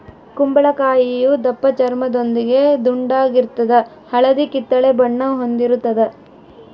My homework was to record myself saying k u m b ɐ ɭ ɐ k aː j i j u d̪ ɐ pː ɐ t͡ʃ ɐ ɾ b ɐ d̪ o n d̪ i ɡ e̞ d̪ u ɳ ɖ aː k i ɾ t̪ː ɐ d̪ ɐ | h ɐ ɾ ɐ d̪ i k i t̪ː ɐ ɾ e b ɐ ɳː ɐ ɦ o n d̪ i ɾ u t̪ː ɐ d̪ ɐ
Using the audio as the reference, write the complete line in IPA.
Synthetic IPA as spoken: k u m b ɐ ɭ ɐ k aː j i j u d̪ ɐ pː ɐ t͡ʃ ɐ ɾ m ɐ d̪ o n d̪ i ɡ e̞ d̪ u ɳ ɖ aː ɡ i ɾ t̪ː ɐ d̪ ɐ | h ɐ ɭ ɐ d̪ i k i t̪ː ɐ ɭ e b ɐ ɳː ɐ ɦ o n d̪ i ɾ u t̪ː ɐ d̪ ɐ